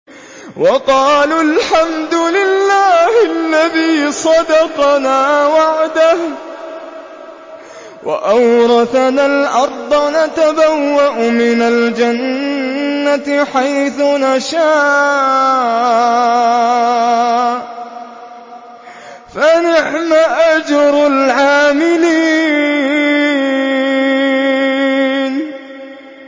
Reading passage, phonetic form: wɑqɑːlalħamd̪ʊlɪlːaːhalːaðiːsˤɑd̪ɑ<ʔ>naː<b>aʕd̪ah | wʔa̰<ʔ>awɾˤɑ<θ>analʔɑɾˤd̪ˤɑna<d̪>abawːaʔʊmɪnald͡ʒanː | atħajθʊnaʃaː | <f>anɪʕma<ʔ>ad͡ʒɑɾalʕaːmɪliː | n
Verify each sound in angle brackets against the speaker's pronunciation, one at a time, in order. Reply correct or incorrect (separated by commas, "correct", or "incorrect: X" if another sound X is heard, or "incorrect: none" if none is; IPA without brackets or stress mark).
incorrect: q, incorrect: w, correct, correct, incorrect: t̪, correct, correct